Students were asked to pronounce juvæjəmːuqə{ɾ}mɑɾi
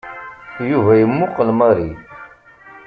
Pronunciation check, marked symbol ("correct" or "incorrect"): incorrect